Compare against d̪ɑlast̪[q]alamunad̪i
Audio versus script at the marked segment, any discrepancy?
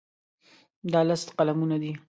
no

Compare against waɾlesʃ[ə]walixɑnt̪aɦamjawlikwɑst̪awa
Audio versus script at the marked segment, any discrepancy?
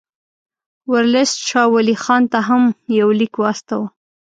yes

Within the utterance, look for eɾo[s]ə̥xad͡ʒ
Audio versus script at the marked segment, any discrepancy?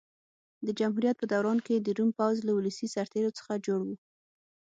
yes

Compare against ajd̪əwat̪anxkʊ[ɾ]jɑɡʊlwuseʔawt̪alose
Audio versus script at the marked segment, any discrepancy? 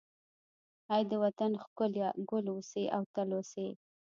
yes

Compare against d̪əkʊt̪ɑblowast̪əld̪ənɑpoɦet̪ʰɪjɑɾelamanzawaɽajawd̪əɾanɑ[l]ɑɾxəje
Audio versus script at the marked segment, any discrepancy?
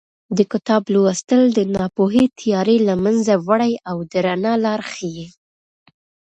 no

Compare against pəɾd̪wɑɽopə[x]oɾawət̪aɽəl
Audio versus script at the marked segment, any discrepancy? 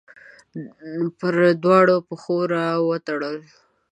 no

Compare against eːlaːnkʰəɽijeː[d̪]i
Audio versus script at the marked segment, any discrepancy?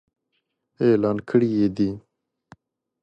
no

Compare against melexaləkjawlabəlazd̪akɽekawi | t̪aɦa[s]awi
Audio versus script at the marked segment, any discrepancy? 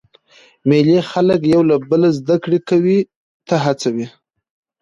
yes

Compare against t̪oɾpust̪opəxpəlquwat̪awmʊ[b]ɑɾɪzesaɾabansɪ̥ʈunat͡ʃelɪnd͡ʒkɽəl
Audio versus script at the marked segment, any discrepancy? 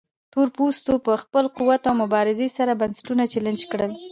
no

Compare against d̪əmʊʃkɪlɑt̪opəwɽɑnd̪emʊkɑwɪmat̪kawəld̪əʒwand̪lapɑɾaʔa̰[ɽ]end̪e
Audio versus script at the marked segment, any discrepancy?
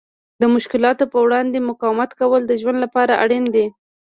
no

